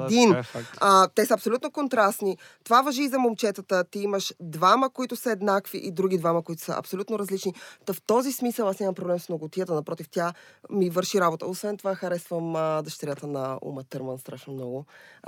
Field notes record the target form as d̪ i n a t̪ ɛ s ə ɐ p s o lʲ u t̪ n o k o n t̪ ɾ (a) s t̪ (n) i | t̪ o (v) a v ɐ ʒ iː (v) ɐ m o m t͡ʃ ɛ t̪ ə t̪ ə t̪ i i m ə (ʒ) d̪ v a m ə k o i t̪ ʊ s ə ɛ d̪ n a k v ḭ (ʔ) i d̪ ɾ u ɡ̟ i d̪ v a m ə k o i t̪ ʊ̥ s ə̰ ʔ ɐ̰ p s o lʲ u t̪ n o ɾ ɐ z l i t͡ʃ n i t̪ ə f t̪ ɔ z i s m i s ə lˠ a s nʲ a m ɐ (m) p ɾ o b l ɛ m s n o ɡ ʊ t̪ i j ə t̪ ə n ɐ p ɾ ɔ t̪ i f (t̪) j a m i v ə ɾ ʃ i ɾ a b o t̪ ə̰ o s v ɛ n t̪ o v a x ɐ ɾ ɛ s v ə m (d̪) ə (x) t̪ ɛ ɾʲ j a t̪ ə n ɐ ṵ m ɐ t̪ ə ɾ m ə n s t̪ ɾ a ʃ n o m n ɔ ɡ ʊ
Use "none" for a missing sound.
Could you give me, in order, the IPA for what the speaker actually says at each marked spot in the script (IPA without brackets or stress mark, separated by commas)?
a, n, v, z, ʃ, ʔ, m, t̪, d̪, ʃ